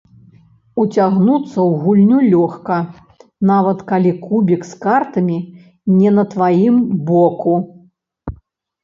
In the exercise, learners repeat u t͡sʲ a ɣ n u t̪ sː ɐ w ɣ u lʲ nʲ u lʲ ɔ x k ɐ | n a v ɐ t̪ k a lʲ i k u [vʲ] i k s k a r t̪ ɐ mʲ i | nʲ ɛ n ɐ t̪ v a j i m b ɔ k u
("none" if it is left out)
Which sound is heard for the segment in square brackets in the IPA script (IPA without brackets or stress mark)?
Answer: bʲ